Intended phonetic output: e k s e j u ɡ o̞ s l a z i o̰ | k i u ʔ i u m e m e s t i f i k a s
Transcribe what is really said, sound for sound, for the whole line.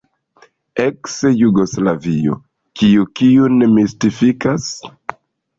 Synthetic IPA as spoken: e k s e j u ɡ o̞ s l a v i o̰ | k i u k i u n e m i s t i f i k a s

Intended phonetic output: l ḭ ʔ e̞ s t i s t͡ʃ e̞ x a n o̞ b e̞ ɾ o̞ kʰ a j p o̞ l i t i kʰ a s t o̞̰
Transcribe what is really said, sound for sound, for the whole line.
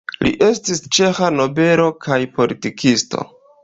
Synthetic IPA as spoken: l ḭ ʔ e̞ s t i s t͡ʃ e̞ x a n o̞ b e̞ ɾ o̞ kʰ a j p o̞ l i t i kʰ i s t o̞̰

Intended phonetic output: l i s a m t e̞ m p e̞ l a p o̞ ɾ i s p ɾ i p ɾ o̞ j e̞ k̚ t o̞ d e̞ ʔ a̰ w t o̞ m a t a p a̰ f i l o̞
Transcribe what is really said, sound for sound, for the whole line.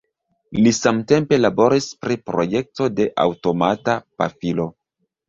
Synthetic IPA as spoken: l i s a m t e̞ m p e̞ l a b o̞ ɾ i s p ɾ i p ɾ o̞ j e̞ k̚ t o̞ d e̞ ʔ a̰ w t o̞ m a t a p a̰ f i l o̞

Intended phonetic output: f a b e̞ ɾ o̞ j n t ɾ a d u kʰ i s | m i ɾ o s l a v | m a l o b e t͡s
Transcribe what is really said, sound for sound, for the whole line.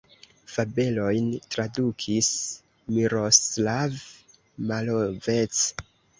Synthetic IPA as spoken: f a b e̞ l o̞ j n t ɾ a d u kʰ i s | m i ɾ o s l a v | m a l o v e t͡s

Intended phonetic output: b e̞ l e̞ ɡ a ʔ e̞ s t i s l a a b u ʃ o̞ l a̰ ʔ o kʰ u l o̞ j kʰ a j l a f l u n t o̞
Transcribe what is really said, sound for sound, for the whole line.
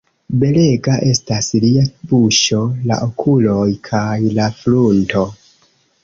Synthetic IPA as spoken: b e̞ l e̞ ɡ a ʔ e̞ s t a s l i a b u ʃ o̞ l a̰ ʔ o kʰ u l o̞ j kʰ a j l a f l u n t o̞

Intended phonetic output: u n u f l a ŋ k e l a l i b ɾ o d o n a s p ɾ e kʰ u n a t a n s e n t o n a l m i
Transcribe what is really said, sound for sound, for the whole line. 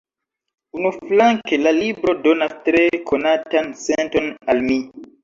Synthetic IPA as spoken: u n u f l a ŋ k e l a l i b ɾ o d o n a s t ɾ e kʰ o n a t a n s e n t o n a l m i

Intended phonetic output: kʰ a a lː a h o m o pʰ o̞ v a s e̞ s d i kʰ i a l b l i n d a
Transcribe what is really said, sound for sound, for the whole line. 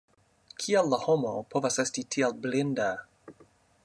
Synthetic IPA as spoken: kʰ i a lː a h o m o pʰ o̞ v a s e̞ s t i tʰ i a l b l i n d a

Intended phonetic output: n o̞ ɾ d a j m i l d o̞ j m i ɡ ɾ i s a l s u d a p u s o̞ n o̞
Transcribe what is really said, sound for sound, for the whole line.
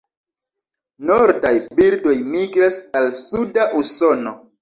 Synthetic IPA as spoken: n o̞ ɾ d a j b i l d o̞ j m i ɡ ɾ a s a l s u d a ʔ u s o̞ n o̞

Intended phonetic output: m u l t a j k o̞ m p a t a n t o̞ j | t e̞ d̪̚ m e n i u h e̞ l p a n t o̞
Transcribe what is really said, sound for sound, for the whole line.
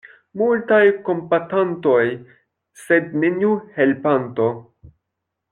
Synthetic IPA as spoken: m u l t a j k o̞ m p a t a n t o̞ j | s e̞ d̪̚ n e n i u h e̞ l p a n t o̞

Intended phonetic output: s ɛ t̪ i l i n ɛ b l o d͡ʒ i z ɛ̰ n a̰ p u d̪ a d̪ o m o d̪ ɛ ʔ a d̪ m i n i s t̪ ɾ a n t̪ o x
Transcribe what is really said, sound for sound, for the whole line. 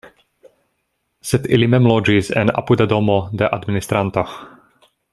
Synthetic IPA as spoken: s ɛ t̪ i l i m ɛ m l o d͡ʒ i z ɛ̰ n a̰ p u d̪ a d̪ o m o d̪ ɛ ʔ a d̪ m i n i s t̪ ɾ a n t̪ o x

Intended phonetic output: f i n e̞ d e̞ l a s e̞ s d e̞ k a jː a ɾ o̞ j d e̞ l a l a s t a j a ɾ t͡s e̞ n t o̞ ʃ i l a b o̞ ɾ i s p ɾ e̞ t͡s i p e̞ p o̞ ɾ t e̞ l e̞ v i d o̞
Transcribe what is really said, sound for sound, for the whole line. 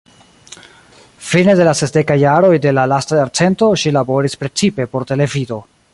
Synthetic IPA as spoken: f i n e̞ d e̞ l a s e̞ s d e̞ k a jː a ɾ o̞ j d e̞ l a l a s t a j a ɾ t͡s e̞ n t o̞ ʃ i l a b o̞ ɾ i s p ɾ e̞ t͡s i p e̞ p o̞ ɾ t e̞ l e̞ v i d o̞

